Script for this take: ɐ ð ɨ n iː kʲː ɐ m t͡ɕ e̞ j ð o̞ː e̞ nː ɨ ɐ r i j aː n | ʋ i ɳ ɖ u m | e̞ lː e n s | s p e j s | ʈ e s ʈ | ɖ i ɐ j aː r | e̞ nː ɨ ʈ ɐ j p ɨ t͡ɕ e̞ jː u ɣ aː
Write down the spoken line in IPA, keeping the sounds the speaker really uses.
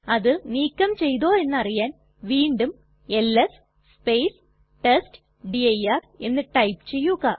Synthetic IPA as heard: ɐ ð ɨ n iː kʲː ɐ m t͡ɕ e̞ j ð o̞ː e̞ nː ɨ ɐ r i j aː n | ʋ iː ɳ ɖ u m | e̞ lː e s | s p e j s | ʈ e s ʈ | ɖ i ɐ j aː r | e̞ nː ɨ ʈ ɐ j p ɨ t͡ɕ e̞ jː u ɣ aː